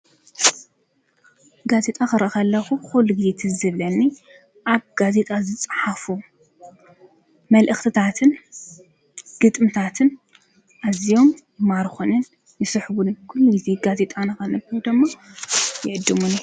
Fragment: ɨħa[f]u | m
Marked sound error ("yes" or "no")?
no